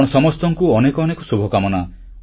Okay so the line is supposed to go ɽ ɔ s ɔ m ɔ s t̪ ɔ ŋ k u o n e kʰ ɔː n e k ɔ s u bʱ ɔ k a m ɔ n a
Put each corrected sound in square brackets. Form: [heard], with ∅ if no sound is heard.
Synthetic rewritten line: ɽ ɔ s ɔ m ɔ s t̪ ɔ ŋ k u [ɔ] n e [k] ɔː n e k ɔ s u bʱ ɔ k a m ɔ n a